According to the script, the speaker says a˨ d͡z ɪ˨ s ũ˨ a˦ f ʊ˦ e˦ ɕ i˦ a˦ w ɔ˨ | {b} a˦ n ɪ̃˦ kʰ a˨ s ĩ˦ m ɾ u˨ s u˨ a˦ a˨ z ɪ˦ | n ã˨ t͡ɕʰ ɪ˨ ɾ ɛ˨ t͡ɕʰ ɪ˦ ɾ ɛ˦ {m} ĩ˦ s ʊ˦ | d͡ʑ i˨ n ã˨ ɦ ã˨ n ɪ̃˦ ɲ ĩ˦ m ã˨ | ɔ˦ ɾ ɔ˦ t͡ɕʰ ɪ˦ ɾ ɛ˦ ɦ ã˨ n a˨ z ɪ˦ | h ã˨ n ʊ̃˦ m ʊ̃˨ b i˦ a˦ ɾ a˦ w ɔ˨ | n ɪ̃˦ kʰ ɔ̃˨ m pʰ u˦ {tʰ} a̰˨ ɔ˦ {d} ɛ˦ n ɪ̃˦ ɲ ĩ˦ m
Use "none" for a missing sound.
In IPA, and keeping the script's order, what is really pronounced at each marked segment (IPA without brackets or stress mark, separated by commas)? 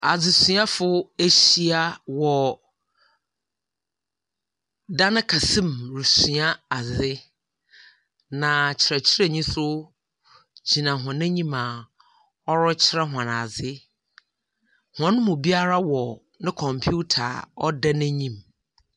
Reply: d, ɲ, tʰ, d